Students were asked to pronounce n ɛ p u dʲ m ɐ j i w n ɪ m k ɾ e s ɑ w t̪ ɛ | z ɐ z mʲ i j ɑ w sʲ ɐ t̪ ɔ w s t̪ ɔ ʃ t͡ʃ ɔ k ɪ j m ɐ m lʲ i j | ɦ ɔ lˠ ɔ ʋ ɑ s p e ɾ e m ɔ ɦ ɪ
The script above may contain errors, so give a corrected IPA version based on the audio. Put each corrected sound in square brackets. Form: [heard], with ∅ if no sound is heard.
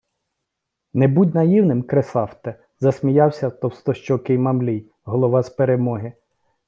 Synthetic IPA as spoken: n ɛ [b] u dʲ [n] ɐ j i w n ɪ m k ɾ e s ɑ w t̪ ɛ | z ɐ [s] mʲ i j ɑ w sʲ ɐ t̪ ɔ w s t̪ ɔ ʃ t͡ʃ ɔ k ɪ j m ɐ m lʲ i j | ɦ ɔ lˠ ɔ ʋ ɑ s p e ɾ e m ɔ ɦ ɪ